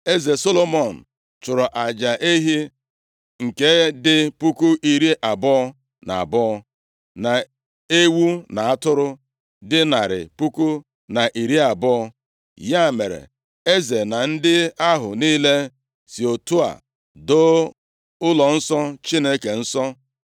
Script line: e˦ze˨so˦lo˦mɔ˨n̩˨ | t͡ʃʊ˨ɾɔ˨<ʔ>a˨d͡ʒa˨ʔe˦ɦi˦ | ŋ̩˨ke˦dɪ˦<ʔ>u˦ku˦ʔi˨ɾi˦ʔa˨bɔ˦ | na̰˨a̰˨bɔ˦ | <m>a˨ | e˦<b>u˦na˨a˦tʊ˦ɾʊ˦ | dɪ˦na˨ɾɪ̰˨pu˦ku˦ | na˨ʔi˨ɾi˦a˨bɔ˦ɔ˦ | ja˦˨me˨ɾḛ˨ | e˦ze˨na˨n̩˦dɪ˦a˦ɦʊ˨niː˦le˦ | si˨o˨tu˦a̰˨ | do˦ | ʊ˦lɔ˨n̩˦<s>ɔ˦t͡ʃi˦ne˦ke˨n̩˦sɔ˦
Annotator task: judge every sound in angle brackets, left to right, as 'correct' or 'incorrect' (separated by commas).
correct, incorrect, incorrect, incorrect, correct